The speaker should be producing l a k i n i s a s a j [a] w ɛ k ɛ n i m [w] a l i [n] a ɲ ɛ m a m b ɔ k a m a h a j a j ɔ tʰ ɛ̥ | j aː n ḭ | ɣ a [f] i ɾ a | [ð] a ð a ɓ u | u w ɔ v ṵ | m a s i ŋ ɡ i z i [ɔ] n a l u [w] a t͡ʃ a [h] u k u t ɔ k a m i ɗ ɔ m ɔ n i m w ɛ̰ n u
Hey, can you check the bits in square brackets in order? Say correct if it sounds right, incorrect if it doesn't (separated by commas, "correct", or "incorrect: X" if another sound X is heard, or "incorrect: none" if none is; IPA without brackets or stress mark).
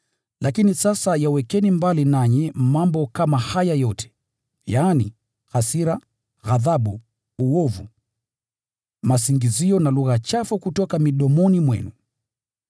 correct, incorrect: b, correct, incorrect: s, incorrect: ɣ, correct, incorrect: ɣ, incorrect: f